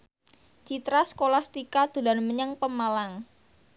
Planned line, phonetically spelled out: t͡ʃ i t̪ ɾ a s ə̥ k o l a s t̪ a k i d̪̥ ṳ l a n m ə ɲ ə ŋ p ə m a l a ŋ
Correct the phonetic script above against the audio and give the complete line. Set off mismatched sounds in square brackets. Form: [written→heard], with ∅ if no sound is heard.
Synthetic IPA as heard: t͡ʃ i t̪ ɾ a s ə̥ k o l a s t̪ [a→i] k [i→a] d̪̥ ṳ l a n m ə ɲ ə ŋ p ə m a l a ŋ

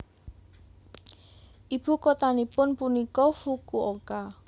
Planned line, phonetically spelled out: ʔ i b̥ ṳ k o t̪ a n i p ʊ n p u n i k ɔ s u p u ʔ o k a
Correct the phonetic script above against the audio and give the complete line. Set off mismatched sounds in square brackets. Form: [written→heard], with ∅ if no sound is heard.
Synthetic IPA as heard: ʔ i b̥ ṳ k o t̪ a n i p ʊ n p u n i k ɔ [s→f] u [p→k] u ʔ o k a

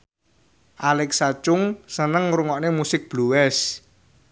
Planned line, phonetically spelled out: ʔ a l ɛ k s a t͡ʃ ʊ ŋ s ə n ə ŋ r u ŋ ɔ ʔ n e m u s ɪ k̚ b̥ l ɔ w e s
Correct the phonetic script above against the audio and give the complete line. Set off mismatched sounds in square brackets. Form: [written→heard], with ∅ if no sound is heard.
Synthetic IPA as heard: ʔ a l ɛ k s a t͡ʃ ʊ ŋ s ə n ə ŋ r u ŋ ɔ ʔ n e m u s ɪ k̚ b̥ l [ɔ→u] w [e→ɛ] s

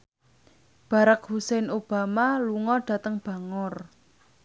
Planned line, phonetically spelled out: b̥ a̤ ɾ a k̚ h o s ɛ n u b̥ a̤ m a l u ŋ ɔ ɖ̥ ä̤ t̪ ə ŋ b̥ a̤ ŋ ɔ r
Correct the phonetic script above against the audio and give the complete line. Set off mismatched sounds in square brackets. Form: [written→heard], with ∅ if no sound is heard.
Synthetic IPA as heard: b̥ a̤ ɾ a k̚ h [o→u] s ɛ n [u→o] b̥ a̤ m a l u ŋ ɔ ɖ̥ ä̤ t̪ ə ŋ b̥ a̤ ŋ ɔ r

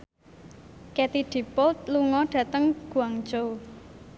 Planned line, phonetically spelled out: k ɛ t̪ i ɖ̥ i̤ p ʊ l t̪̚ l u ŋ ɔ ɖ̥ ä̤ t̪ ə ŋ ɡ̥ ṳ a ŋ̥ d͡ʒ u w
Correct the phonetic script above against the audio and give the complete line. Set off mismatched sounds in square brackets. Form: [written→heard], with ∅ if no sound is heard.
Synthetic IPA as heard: k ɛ t̪ i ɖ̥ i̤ p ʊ l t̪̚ l u ŋ ɔ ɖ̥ ä̤ t̪ ə ŋ ɡ̥ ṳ a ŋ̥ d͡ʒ [u→o] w

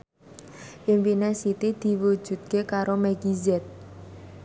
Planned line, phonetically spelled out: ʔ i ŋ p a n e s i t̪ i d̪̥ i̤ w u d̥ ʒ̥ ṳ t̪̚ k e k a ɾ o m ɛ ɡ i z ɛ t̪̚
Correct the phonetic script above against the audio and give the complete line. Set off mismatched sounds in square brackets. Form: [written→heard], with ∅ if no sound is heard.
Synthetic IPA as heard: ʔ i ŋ p [a→i] n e s i t̪ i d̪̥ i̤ w u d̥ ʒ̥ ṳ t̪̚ k e k a ɾ o m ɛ ɡ i z ɛ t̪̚

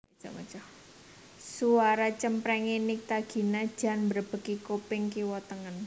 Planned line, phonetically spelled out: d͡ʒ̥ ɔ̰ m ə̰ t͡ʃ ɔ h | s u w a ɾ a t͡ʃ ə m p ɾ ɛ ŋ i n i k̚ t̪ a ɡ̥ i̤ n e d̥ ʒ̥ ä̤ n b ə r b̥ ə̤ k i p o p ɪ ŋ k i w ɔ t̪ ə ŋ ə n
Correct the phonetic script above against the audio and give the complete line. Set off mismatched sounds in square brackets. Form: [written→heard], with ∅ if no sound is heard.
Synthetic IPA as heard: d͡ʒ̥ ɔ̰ m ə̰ t͡ʃ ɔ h | s u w a ɾ a t͡ʃ ə m p ɾ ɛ ŋ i n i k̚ t̪ a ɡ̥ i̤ n [e→a] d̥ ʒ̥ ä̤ n b ə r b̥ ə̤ k i [p→k] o p ɪ ŋ k i w ɔ t̪ ə ŋ ə n

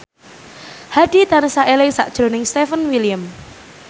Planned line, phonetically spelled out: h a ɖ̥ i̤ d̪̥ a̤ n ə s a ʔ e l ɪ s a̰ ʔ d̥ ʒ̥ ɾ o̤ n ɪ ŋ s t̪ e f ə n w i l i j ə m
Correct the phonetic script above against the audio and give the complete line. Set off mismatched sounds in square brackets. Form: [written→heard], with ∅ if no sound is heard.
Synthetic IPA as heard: h a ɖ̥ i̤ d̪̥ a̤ n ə s a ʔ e l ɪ s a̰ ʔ d̥ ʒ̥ ɾ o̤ n ɪ ŋ s t̪ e f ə n w i l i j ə m

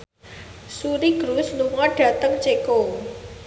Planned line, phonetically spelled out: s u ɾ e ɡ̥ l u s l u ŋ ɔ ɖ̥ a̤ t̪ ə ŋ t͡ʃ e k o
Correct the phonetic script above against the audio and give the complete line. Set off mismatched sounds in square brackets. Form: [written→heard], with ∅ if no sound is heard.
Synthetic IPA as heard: s u ɾ [e→i] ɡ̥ [l→ɾ] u s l u ŋ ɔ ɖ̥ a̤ t̪ ə ŋ t͡ʃ e k o

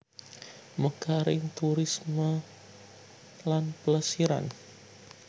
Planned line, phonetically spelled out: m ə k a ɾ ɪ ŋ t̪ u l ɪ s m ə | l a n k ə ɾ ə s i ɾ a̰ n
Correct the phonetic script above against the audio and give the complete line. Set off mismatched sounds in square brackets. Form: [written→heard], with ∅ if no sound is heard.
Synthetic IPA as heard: m ə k a ɾ ɪ ŋ t̪ u [l→ɾ] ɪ s m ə | l a n [k→p] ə [ɾ→l] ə s i ɾ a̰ n

